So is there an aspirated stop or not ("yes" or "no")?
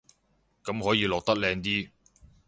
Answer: no